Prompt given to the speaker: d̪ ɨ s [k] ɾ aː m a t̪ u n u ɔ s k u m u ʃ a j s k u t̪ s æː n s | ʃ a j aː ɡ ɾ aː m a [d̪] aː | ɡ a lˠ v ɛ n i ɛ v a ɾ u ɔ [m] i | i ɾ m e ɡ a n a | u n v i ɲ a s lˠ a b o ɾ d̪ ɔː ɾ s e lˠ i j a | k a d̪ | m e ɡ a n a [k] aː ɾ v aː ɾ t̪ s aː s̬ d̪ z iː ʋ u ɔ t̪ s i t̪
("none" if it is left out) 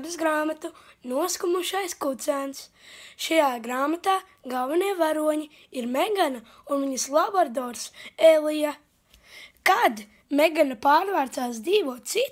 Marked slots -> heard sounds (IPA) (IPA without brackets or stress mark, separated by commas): ɡ, t̪, ɲ, p